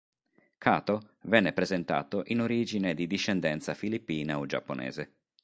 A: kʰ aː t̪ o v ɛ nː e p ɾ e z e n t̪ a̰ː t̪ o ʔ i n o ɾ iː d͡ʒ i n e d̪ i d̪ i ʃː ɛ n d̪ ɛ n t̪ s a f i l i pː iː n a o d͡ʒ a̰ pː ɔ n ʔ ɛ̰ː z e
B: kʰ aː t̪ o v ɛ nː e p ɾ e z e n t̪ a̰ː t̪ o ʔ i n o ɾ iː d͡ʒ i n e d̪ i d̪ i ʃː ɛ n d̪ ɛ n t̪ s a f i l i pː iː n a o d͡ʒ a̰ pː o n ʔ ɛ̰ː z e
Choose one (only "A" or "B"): B